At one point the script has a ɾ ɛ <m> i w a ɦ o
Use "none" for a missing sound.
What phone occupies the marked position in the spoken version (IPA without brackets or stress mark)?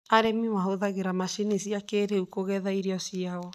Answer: m